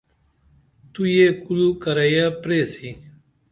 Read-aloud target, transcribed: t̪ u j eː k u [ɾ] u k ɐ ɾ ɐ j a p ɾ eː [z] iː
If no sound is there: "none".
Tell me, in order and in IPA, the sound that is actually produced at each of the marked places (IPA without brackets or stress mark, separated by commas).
l, s